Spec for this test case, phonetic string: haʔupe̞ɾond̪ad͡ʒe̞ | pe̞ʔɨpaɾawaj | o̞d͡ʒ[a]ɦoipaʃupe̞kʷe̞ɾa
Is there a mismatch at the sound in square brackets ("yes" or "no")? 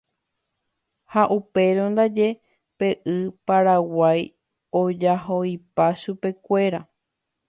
no